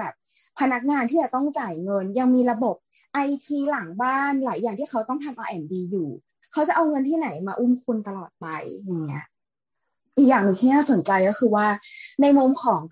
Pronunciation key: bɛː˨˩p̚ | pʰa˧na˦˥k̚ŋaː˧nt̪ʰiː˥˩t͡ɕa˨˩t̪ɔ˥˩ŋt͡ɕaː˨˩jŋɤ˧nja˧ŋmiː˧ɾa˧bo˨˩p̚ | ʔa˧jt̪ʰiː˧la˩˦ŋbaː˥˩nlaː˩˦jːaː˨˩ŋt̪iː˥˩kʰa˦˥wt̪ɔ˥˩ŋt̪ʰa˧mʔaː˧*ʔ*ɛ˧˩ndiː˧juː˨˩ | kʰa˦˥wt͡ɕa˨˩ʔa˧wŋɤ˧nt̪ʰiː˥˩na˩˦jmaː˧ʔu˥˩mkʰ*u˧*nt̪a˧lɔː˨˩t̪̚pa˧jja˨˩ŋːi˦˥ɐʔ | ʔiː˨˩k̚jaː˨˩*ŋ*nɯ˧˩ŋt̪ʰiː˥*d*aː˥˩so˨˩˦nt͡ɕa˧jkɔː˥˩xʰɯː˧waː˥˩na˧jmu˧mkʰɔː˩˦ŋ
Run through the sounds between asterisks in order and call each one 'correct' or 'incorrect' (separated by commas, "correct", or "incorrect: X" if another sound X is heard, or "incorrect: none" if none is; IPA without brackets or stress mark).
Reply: correct, correct, correct, incorrect: n